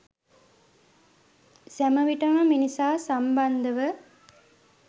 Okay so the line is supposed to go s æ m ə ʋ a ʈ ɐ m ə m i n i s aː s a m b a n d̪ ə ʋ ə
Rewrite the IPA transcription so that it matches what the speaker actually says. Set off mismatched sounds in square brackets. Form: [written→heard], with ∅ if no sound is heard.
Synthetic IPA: s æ m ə ʋ [a→i] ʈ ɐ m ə m i n i s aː s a m b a n d̪ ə ʋ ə